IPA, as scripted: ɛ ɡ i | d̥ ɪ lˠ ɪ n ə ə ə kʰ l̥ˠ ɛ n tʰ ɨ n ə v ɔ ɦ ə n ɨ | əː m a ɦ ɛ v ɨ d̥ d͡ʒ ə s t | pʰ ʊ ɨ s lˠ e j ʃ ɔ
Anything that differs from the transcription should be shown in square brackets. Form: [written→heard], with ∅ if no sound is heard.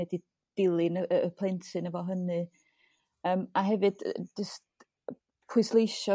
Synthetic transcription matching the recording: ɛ [ɡ→d] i | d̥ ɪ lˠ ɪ n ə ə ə [kʰ→pʰ] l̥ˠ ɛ n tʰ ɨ n ə v ɔ ɦ ə n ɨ | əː m a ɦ ɛ v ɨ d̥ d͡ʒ ə s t | pʰ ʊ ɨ s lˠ e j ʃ ɔ

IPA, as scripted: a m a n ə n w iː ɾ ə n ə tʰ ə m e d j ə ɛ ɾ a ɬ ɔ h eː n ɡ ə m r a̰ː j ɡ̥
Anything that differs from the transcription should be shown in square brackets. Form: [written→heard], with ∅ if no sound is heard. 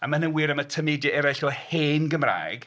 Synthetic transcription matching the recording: a m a n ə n w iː ɾ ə [n→m] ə tʰ ə m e d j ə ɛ ɾ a ɬ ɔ h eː n ɡ ə m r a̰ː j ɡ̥

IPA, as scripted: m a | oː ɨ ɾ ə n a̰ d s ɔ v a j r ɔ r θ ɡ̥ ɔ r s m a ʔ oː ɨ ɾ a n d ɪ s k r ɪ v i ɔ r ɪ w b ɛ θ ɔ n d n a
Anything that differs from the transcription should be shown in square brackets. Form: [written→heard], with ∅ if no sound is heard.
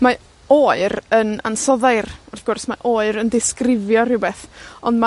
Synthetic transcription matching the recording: m a | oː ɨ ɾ ə n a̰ [d→n] s ɔ [v→ð] a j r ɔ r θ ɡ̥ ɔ r s m a ʔ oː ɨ ɾ [a→ə] n d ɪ s k r ɪ v [i→j] ɔ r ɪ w b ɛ θ ɔ n d [n→m] a

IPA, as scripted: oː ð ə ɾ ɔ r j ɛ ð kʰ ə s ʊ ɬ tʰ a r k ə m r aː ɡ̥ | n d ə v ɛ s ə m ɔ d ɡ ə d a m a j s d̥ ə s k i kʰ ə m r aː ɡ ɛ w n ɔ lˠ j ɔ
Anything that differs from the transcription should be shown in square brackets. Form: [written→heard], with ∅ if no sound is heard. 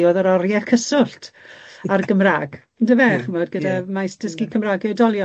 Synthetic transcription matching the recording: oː ð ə ɾ ɔ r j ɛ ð kʰ ə s ʊ ɬ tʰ a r [k→ɡ] ə m r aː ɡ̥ | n d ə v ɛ [s→χ] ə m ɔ d ɡ ə d a m a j s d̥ ə s k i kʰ ə m r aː ɡ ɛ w [n→d] ɔ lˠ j ɔ

